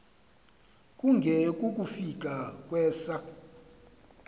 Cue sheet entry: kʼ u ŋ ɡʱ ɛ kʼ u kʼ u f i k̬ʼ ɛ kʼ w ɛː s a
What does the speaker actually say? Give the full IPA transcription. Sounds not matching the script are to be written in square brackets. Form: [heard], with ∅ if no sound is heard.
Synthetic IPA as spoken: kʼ u ŋ ɡʱ ɛ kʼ u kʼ u f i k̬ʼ [a] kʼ w ɛː s a